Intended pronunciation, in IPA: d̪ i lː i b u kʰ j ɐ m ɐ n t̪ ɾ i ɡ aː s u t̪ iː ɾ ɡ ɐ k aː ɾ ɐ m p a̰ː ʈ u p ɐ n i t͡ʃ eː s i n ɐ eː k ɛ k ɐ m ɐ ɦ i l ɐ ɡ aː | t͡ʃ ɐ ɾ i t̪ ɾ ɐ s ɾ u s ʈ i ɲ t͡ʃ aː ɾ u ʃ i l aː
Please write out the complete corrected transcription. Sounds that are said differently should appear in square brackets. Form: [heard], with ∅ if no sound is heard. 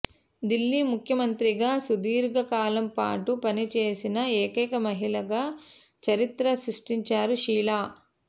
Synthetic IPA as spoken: d̪ i lː i [m] u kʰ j ɐ m ɐ n t̪ ɾ i ɡ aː s u [d̪] iː ɾ ɡ ɐ k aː [l] ɐ m p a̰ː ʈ u p ɐ n i t͡ʃ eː s i n ɐ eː k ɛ k ɐ m ɐ ɦ i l ɐ ɡ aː | t͡ʃ ɐ ɾ i t̪ ɾ ɐ s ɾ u [ʂ] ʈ i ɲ t͡ʃ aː ɾ u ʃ [iː] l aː